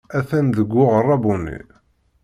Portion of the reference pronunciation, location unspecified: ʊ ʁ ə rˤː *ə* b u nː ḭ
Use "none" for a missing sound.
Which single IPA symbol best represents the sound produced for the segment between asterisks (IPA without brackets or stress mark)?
ɑ